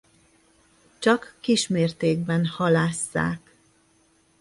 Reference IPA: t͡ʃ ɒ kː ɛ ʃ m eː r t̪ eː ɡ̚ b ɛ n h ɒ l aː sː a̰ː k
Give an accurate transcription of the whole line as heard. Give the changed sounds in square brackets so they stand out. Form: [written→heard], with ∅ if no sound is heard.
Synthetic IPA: t͡ʃ ɒ kː [ɛ→i] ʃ m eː r t̪ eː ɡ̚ b ɛ n h ɒ l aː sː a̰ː k